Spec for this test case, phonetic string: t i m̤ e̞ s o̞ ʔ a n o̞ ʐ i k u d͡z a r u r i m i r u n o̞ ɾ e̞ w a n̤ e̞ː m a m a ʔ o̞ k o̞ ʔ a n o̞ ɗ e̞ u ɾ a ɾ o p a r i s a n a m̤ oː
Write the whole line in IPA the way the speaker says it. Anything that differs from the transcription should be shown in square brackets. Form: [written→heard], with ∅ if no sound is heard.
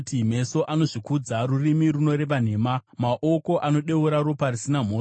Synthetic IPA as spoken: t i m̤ e̞ s o̞ ʔ a n o̞ ʐ i k u d͡z a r u r i m i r u n o̞ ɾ e̞ [w→ʋ] a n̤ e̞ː m a m a ʔ o̞ k o̞ ʔ a n o̞ ɗ e̞ u ɾ a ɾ o p a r i s [a→i] n a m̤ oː